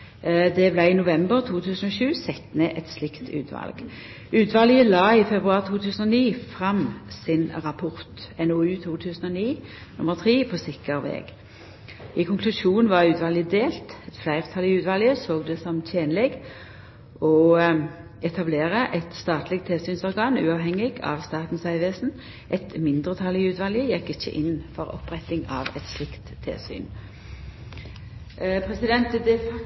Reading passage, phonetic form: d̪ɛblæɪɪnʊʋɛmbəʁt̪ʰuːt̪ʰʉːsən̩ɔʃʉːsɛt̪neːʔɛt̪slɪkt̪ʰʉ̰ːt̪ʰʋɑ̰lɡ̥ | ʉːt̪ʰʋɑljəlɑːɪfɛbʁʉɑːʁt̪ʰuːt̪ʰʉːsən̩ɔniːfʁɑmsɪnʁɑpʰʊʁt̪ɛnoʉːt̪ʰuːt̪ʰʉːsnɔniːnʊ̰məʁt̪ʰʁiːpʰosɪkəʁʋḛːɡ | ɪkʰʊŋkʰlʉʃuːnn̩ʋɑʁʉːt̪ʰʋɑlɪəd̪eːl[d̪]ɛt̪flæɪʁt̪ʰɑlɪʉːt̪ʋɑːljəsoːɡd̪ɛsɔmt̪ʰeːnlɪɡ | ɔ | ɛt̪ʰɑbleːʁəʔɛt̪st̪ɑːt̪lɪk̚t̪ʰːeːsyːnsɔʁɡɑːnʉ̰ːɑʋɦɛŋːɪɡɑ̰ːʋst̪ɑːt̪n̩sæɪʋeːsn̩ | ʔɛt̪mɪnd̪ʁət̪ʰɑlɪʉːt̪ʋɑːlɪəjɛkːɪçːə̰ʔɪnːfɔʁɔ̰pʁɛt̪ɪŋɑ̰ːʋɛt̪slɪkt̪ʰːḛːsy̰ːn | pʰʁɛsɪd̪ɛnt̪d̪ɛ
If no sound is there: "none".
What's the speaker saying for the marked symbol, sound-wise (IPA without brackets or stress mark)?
t̪